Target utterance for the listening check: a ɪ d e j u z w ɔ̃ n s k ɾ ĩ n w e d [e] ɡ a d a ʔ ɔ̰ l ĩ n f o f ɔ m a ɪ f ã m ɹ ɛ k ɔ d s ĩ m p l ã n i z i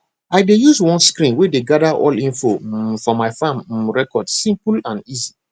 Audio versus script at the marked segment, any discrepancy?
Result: no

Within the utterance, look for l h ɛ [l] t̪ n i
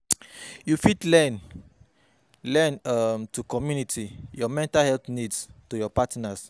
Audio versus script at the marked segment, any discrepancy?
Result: no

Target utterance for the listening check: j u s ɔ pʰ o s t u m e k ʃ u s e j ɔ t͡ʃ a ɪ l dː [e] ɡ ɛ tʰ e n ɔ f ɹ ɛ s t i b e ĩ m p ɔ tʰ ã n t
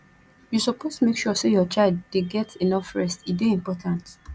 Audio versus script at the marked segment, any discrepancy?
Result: no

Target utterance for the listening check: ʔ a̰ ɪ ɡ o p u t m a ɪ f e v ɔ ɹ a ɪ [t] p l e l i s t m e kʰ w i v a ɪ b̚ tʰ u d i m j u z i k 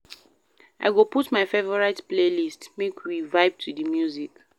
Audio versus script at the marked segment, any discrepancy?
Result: no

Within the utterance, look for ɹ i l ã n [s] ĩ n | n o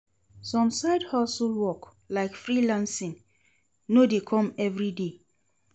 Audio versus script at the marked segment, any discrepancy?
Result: no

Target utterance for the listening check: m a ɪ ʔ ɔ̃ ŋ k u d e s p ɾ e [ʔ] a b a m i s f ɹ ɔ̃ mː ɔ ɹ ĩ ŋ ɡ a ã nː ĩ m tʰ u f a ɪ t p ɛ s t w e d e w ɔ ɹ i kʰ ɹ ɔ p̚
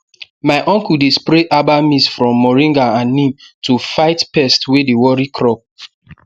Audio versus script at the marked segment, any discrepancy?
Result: no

